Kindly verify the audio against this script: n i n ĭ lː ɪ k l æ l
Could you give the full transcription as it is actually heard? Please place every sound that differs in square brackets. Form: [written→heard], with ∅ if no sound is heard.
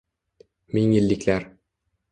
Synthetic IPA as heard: [n→m] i [n→ŋ] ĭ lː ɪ k l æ [l→ɾ]